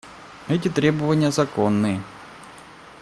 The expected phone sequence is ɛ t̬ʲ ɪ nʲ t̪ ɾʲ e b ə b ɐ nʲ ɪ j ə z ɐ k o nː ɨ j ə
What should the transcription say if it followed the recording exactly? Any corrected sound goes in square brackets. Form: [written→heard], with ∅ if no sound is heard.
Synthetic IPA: ɛ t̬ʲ ɪ [nʲ→∅] t̪ ɾʲ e b ə [b→v] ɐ nʲ ɪ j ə z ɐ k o nː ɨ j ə